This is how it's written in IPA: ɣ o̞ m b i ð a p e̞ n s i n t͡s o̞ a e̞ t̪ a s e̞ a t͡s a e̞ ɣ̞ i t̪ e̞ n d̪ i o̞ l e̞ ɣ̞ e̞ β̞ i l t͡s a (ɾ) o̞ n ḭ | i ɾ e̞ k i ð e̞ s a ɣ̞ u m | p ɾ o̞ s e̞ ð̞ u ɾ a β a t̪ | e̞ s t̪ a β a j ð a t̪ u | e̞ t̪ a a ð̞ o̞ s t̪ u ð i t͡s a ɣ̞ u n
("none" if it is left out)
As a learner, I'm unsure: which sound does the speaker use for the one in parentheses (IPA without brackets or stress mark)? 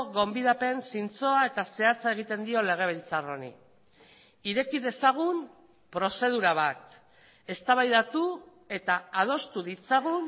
r